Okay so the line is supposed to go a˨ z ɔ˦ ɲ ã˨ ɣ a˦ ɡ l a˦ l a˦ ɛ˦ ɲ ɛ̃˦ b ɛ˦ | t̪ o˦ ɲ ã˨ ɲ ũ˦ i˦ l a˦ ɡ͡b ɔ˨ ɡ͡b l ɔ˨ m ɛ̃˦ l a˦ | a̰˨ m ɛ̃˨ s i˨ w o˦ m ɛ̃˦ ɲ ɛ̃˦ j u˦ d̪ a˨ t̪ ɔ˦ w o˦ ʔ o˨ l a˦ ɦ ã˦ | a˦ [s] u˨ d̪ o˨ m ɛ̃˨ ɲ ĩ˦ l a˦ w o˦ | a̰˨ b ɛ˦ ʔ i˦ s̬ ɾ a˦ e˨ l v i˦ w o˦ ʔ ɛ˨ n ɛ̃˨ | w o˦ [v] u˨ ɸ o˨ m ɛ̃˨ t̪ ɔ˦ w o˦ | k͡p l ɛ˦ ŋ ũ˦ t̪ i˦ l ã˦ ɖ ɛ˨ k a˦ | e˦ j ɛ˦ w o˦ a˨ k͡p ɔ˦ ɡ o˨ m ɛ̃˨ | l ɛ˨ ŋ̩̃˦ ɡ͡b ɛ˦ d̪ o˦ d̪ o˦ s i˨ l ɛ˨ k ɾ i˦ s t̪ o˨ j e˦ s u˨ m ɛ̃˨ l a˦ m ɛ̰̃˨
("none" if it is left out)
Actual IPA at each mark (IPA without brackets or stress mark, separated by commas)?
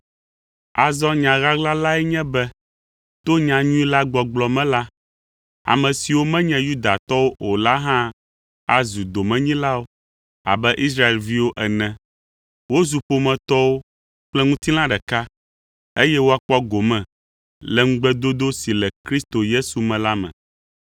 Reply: z, z